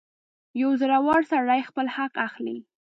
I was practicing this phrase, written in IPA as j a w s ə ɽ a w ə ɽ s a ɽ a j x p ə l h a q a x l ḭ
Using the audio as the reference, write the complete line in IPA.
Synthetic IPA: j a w z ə ɾ a w ɑ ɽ s a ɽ a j x p ə l h a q a x l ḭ